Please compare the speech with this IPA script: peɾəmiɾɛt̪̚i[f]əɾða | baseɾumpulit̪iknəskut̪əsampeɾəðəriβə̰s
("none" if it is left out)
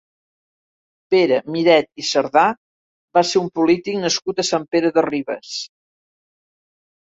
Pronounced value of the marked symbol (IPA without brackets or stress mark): s